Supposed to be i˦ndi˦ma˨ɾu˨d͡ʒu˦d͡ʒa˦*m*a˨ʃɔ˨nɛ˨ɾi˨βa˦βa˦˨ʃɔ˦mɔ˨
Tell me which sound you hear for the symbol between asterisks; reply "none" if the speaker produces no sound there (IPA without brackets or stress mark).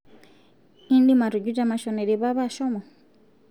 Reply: m